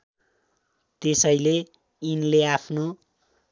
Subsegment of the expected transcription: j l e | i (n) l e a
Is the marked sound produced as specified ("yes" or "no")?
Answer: yes